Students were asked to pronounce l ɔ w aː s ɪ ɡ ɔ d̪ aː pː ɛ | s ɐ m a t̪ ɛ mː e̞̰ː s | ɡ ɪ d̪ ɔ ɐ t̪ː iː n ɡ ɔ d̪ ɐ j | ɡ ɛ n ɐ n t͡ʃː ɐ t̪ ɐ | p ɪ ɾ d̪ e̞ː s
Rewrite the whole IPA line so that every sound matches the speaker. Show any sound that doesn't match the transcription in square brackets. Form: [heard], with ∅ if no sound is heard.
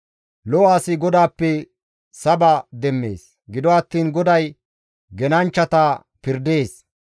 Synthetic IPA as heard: l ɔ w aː s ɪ ɡ ɔ d̪ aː pː ɛ | s ɐ [b] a [d̪] ɛ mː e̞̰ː s | ɡ ɪ d̪ ɔ ɐ t̪ː iː n ɡ ɔ d̪ ɐ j | ɡ ɛ n ɐ n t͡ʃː ɐ t̪ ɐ | p ɪ ɾ d̪ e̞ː s